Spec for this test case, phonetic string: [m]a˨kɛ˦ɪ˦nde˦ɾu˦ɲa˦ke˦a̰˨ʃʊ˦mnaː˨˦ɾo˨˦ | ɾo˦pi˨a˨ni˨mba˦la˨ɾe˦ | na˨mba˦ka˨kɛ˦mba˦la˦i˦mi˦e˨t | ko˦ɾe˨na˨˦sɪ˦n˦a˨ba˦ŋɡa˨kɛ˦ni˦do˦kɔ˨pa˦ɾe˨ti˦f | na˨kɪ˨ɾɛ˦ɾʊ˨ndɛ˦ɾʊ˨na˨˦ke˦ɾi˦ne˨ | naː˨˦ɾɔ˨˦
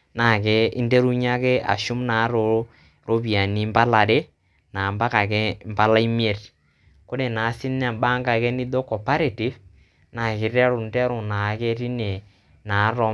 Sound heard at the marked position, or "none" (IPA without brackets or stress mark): n